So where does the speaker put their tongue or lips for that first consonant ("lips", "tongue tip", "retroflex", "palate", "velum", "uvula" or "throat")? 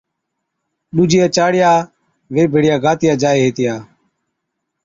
tongue tip